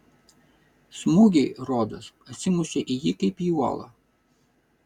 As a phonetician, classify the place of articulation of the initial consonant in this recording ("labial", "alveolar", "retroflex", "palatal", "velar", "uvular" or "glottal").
alveolar